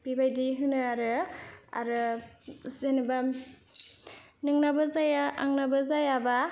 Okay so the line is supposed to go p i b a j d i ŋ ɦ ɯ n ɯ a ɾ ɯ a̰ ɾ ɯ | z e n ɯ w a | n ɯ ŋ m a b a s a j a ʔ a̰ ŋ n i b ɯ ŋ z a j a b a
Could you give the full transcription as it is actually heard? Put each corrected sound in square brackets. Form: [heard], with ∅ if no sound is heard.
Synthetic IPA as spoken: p i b a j d i [∅] ɦ ɯ n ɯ a ɾ ɯ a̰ ɾ ɯ | z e n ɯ [b] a | n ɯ ŋ [n] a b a [z] a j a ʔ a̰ ŋ n [a] b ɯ [∅] z a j a b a